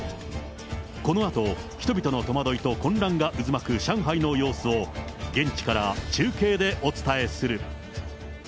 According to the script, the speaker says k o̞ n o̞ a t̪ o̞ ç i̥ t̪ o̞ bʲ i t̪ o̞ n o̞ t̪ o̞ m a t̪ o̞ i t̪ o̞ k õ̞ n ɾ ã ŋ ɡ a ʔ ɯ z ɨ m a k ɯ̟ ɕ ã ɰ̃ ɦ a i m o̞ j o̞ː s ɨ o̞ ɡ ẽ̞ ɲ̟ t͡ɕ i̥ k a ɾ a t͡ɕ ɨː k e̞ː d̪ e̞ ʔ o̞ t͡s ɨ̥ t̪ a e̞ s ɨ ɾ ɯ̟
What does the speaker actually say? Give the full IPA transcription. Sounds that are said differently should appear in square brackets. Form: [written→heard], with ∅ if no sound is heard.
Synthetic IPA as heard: k o̞ n o̞ a t̪ o̞ ç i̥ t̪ o̞ bʲ i t̪ o̞ n o̞ t̪ o̞ m a [t̪→d̪] o̞ i t̪ o̞ k õ̞ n ɾ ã ŋ ɡ a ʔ ɯ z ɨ m a k ɯ̟ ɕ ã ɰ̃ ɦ a i [m→n] o̞ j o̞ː s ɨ o̞ ɡ ẽ̞ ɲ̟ t͡ɕ i̥ k a ɾ a t͡ɕ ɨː k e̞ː d̪ e̞ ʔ o̞ t͡s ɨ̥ t̪ a e̞ s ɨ ɾ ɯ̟